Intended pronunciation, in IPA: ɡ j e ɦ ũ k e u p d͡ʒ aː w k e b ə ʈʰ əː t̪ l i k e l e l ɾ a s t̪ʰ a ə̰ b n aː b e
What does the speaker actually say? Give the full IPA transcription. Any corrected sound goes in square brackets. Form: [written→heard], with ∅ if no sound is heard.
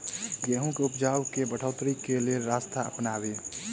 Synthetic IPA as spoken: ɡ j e ɦ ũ k e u p d͡ʒ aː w k e b ə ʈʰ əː t̪ [l→ɾ] i k e l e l ɾ a s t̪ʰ a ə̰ [b→p] n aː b e